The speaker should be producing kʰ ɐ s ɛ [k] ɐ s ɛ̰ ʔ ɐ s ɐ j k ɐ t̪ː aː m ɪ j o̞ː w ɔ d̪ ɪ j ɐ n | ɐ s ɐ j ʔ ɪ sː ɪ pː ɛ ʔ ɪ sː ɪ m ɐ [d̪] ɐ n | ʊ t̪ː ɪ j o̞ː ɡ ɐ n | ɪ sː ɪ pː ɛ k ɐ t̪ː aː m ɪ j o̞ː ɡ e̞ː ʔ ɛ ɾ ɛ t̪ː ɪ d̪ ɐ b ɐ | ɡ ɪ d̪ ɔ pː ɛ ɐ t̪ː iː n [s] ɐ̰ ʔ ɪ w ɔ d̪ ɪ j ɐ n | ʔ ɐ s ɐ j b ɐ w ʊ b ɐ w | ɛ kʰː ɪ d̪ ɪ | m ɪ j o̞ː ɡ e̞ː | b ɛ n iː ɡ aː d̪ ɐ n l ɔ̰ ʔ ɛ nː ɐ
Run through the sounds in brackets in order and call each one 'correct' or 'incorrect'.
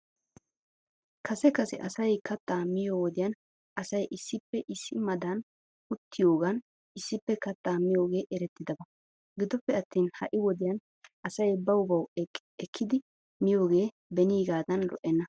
correct, correct, incorrect

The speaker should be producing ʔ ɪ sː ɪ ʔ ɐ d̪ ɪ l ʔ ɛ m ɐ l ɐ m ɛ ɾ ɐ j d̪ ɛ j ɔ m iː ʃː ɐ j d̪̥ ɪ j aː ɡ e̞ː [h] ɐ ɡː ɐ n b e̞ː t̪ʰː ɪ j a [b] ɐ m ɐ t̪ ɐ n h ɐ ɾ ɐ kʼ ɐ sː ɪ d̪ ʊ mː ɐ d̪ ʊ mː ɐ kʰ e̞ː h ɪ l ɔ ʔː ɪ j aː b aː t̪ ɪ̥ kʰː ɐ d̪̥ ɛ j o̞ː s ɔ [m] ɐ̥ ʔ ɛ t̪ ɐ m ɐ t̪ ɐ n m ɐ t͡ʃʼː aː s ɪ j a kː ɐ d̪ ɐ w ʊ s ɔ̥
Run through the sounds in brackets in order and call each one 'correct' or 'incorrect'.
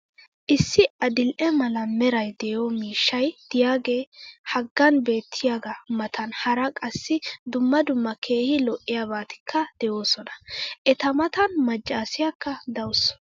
correct, incorrect, incorrect

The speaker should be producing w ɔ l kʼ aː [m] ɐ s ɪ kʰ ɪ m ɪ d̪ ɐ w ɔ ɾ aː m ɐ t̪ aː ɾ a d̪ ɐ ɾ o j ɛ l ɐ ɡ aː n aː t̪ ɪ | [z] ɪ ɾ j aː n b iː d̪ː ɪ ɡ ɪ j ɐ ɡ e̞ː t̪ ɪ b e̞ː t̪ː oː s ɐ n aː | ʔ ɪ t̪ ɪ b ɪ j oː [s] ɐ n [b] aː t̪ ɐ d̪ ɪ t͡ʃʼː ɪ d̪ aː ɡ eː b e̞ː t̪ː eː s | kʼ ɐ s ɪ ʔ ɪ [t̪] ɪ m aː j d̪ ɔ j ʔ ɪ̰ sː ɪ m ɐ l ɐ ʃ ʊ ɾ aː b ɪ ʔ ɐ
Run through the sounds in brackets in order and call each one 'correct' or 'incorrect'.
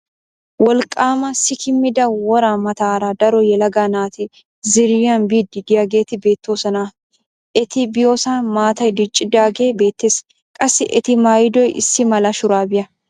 correct, correct, correct, incorrect, correct

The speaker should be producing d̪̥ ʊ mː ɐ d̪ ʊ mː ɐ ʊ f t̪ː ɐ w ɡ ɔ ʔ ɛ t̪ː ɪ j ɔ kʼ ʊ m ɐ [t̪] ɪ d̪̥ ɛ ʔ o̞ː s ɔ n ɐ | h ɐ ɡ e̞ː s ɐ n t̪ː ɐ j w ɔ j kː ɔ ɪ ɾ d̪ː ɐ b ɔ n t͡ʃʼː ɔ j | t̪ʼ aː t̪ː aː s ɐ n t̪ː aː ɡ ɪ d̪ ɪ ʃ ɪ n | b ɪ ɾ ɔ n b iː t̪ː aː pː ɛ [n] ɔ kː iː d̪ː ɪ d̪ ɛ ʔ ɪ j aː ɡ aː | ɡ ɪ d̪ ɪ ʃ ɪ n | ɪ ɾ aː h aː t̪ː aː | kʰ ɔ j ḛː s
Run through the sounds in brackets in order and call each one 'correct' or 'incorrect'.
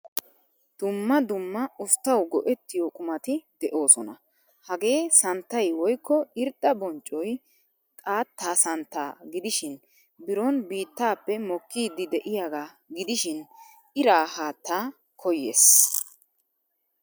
correct, incorrect

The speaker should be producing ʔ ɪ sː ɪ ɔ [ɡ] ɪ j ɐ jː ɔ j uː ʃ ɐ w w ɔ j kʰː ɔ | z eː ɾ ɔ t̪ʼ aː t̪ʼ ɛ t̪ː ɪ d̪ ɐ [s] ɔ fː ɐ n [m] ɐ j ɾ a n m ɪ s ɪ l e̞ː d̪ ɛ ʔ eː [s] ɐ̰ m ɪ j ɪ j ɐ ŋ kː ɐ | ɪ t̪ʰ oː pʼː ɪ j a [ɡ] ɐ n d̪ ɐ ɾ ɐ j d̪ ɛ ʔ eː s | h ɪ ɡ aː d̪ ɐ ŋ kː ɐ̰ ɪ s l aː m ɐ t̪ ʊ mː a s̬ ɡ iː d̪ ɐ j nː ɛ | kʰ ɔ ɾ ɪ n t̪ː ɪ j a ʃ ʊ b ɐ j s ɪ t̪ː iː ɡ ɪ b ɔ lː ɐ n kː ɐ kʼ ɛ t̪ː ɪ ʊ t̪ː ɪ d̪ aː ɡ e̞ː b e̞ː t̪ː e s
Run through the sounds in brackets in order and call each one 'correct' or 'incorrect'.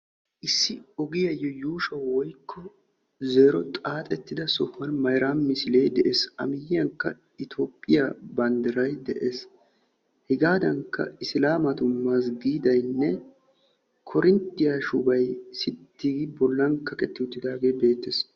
correct, correct, correct, correct, incorrect

